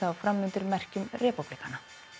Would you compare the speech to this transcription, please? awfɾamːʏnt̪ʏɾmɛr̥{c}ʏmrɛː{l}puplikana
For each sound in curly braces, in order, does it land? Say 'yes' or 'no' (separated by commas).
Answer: yes, no